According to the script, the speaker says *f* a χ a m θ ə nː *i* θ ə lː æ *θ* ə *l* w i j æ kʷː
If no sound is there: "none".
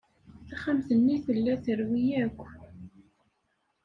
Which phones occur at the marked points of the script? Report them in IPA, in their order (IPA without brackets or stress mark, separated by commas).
θ, i, θ, ɾ